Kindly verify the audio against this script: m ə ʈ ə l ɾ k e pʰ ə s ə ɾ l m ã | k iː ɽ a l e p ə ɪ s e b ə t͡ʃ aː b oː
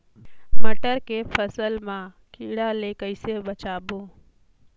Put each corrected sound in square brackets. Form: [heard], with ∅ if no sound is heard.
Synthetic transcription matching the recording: m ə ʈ ə [∅] ɾ k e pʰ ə s ə [∅] l m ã | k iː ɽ a l e [k] ə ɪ s e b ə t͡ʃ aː b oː